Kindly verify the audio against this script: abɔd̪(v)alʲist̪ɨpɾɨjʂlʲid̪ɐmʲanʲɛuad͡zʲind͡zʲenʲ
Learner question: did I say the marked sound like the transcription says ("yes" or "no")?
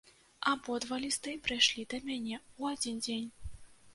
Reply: yes